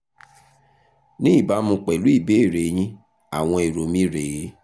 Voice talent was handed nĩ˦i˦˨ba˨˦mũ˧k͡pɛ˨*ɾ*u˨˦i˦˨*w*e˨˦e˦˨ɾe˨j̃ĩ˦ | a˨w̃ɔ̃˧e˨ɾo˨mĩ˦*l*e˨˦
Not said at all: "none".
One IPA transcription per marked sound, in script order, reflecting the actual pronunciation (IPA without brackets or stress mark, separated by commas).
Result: l, b, ɾ